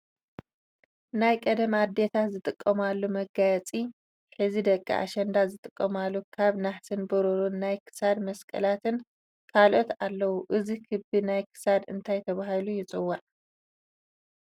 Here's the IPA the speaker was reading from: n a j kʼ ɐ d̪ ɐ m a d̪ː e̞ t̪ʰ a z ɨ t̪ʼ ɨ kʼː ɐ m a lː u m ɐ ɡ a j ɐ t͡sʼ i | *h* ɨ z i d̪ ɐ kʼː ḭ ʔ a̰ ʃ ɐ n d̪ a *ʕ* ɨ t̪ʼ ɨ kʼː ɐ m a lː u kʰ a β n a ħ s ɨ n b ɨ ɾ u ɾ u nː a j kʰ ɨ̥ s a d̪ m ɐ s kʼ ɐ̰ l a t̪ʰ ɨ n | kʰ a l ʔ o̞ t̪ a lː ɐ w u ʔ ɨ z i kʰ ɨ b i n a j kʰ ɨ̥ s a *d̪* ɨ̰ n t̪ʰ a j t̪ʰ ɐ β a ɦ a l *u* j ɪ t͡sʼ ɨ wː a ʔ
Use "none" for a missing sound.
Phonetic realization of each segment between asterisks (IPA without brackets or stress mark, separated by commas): ħ, z, d̪, u